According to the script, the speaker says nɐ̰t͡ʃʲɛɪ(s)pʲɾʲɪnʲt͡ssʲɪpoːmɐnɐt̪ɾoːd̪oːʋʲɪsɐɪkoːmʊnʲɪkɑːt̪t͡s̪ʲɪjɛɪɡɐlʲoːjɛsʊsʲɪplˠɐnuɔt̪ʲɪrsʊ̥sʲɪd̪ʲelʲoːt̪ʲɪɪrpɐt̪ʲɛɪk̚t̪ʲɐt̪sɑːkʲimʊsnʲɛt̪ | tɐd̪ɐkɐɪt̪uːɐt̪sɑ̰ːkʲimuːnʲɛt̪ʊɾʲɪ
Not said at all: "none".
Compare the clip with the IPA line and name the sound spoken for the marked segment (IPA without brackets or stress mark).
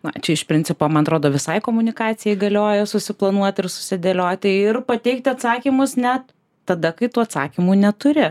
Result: ʃ